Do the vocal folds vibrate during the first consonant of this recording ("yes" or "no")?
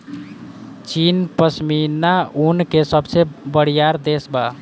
no